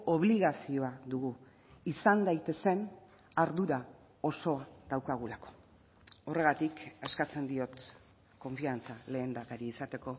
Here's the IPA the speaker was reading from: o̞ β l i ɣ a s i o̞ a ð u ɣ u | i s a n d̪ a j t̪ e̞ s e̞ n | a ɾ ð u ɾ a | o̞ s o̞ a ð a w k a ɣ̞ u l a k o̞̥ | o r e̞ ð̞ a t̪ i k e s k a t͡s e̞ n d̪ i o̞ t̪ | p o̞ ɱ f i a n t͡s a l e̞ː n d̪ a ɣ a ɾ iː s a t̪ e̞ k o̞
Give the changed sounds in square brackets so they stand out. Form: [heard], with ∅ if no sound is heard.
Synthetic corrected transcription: o̞ β l i ɣ a s i o̞ a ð u ɣ u | i s a n d̪ a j t̪ e̞ s e̞ n | a ɾ ð u ɾ a | o̞ s o̞ a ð a w k a ɣ̞ u l a k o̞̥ | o r e̞ [ɣ̞] a t̪ i k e s k a t͡s e̞ n d̪ i o̞ t̪ | [k] o̞ ɱ f i a n t͡s a l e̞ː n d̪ a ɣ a ɾ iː s a t̪ e̞ k o̞